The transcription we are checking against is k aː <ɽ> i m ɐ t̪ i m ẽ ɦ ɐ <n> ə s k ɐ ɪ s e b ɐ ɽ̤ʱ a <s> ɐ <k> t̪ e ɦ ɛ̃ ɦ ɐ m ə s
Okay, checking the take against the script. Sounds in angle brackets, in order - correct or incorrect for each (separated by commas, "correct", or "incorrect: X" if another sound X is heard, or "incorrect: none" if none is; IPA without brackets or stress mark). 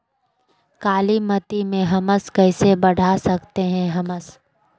incorrect: l, incorrect: m, correct, correct